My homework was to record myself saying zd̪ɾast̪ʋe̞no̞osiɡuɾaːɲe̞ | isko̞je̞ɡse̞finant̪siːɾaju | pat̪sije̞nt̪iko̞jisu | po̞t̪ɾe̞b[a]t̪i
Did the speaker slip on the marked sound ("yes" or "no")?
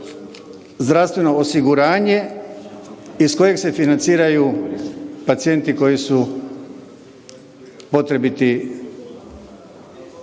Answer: yes